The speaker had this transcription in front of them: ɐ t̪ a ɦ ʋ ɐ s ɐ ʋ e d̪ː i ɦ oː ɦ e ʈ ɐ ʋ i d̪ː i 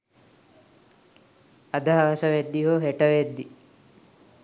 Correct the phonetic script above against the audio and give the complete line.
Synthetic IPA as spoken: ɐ d̪ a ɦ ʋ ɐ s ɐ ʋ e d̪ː i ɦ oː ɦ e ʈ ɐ ʋ e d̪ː i